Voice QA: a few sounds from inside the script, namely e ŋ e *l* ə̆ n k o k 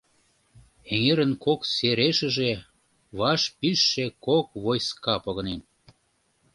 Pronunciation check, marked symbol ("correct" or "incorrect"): incorrect